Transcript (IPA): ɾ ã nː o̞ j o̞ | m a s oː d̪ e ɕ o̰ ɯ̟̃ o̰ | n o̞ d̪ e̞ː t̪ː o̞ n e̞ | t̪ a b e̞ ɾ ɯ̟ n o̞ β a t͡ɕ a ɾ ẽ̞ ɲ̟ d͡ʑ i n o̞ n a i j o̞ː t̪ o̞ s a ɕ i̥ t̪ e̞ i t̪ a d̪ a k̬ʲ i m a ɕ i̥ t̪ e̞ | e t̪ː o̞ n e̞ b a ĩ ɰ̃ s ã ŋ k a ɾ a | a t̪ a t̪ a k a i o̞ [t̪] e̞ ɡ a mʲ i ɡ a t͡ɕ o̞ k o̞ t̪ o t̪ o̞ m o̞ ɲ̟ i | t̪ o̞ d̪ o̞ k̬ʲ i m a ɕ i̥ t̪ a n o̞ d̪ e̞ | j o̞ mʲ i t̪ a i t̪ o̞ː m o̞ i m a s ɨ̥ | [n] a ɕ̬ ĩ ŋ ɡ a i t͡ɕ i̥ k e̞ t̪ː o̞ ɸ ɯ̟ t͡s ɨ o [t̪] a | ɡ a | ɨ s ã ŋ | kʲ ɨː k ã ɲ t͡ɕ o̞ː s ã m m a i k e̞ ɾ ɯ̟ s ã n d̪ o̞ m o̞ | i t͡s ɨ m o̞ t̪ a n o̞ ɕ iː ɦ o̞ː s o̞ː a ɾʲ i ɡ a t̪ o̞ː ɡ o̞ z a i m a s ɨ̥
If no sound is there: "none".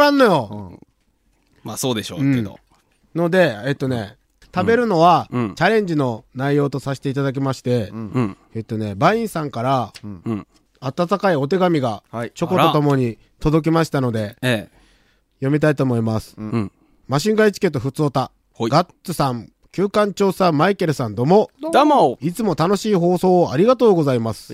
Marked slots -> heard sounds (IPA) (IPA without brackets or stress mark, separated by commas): t̪, m, t̪